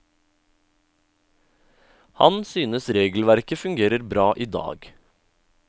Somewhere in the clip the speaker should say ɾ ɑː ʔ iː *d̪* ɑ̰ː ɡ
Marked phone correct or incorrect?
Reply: correct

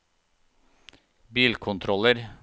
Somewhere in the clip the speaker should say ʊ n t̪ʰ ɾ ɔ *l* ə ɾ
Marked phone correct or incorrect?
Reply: correct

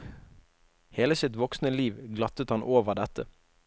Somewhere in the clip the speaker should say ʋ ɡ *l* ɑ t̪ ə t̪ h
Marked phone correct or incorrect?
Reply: correct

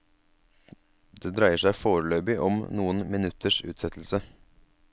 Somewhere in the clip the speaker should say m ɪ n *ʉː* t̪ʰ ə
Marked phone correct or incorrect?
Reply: incorrect: ʉ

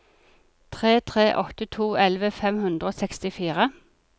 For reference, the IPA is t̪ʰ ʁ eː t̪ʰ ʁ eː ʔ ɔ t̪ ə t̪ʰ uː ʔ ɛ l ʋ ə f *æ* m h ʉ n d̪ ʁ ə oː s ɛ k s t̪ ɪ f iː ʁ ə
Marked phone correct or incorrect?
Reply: incorrect: ɛ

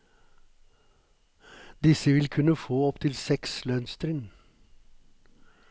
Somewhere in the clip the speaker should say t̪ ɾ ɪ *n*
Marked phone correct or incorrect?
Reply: correct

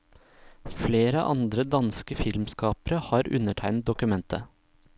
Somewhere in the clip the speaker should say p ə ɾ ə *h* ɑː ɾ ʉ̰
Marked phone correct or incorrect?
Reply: correct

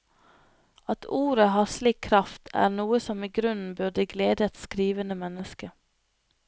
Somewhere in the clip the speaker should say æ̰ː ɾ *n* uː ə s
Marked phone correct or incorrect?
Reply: correct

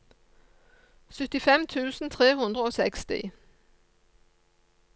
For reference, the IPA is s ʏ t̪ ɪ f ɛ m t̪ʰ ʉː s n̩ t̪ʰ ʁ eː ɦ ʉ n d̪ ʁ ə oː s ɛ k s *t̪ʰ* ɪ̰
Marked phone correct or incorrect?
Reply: incorrect: t̪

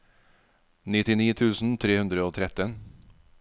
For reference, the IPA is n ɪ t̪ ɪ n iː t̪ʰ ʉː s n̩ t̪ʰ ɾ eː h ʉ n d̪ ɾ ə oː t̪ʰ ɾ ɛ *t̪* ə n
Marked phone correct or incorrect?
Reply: correct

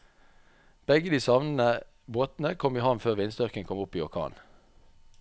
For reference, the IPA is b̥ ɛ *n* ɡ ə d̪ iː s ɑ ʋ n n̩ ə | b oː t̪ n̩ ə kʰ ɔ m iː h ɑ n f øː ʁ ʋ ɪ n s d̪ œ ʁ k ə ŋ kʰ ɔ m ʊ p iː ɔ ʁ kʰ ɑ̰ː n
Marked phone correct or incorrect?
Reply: incorrect: none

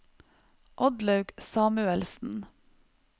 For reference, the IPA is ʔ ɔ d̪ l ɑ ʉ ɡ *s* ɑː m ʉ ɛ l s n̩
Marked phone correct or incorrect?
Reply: correct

